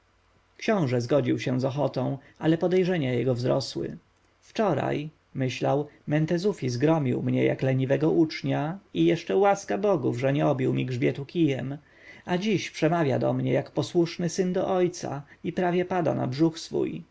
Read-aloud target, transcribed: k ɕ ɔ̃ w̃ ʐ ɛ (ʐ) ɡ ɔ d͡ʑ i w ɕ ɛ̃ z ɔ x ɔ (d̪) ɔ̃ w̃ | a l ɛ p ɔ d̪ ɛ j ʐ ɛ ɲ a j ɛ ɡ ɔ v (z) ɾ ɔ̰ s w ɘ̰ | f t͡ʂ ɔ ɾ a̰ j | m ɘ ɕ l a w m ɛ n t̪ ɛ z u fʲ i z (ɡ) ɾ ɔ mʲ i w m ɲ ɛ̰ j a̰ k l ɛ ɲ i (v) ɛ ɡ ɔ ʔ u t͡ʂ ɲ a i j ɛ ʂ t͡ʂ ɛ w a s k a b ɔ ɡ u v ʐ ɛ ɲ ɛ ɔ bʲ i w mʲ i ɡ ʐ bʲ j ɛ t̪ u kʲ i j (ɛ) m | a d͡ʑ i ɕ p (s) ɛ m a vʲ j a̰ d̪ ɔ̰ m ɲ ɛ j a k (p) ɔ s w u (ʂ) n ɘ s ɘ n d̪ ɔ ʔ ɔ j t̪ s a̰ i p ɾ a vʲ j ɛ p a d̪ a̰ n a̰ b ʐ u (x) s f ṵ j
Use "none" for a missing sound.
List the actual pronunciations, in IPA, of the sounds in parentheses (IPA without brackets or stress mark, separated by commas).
z, t̪, z, ɡ, v, ɛ, ʂ, p, ʂ, x